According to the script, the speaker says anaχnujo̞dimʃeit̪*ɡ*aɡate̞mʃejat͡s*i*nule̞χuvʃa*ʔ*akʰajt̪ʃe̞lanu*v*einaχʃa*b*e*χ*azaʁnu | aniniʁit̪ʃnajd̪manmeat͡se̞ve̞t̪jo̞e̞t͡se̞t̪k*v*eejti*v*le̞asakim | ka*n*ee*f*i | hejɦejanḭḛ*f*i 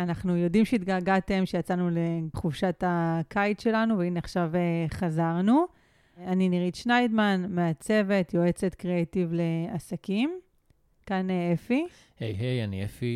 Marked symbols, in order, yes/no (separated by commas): yes, no, no, yes, no, yes, no, yes, yes, yes, yes